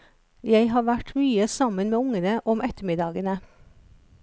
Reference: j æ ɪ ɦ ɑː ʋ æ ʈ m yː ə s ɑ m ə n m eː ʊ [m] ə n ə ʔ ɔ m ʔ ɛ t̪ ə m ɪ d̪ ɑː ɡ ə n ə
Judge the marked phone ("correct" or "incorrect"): incorrect